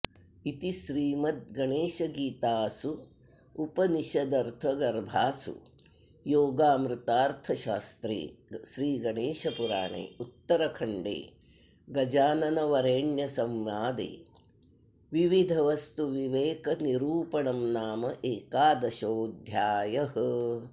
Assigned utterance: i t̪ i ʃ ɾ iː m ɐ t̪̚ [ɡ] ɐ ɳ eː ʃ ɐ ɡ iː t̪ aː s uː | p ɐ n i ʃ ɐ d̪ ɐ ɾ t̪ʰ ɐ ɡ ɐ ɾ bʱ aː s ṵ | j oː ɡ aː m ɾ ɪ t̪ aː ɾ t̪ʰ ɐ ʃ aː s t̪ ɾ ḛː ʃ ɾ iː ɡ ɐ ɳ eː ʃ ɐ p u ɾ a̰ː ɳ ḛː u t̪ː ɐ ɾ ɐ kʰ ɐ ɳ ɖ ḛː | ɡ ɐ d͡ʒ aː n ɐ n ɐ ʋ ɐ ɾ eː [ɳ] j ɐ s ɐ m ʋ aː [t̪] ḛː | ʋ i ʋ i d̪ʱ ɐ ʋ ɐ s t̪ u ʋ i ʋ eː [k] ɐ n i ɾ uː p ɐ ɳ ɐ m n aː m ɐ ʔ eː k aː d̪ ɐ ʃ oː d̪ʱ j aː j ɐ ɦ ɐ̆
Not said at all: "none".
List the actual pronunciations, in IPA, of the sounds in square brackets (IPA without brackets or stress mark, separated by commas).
ɡ, ɳ, d̪, k